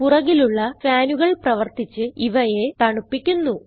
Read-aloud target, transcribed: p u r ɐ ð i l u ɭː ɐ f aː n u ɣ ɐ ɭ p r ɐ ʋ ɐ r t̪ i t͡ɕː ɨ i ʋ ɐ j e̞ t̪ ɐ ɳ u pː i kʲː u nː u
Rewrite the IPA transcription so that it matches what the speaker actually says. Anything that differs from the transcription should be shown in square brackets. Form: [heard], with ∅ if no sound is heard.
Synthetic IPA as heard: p u r ɐ [ɣ] i l u ɭː ɐ f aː n u ɣ ɐ ɭ p r ɐ ʋ ɐ r t̪ i t͡ɕː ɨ i ʋ ɐ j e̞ t̪ ɐ ɳ u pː i kʲː u nː u